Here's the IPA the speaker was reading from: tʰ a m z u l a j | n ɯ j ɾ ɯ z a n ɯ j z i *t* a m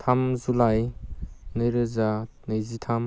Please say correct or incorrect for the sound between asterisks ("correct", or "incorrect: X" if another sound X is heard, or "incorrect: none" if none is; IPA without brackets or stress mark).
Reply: incorrect: tʰ